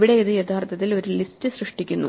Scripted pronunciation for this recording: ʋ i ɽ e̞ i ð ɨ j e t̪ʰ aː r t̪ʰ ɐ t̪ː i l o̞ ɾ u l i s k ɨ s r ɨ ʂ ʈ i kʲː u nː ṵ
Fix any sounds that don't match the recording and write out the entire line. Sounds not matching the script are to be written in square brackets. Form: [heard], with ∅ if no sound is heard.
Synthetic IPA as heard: ʋ i ɽ e̞ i ð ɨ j e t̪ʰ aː r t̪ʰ ɐ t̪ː i l o̞ ɾ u l i s [t] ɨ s r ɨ ʂ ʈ i kʲː u nː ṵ